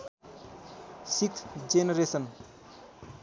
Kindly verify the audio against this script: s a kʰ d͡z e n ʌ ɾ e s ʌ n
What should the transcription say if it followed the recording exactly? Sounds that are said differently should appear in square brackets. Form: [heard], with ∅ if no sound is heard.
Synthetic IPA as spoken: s [i] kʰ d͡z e n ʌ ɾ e s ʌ n